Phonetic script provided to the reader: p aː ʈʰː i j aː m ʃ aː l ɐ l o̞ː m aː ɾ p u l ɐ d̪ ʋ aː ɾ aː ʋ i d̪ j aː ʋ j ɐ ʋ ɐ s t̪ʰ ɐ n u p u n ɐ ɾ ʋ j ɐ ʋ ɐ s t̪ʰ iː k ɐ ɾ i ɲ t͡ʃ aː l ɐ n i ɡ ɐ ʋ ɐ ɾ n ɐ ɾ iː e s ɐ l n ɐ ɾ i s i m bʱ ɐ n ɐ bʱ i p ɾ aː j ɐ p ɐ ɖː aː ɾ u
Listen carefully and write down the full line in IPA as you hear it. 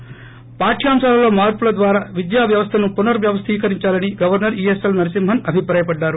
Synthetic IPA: p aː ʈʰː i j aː m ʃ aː l ɐ l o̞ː m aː ɾ p u l ɐ d̪ ʋ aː ɾ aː ʋ i d̪ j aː ʋ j ɐ ʋ ɐ s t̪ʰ ɐ n u p u n ɐ ɾ ʋ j ɐ ʋ ɐ s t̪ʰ iː k ɐ ɾ i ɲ t͡ʃ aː l ɐ n i ɡ ɐ ʋ ɐ ɾ n ɐ ɾ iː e s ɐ l n ɐ ɾ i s i m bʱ ɐ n ɐ bʱ i p ɾ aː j ɐ p ɐ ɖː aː ɾ u